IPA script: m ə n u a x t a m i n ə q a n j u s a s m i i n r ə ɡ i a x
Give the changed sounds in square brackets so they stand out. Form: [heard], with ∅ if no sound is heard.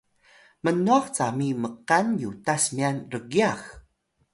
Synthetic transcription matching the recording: m ə n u a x [t͡s] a m i [m] ə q a n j u [t] a s m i [a] n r ə ɡ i a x